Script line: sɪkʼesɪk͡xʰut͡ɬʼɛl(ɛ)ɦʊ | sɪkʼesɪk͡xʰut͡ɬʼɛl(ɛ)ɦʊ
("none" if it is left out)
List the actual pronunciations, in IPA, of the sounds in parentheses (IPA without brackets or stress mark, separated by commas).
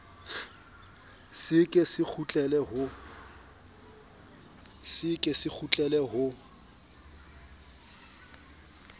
ɛ, ɛ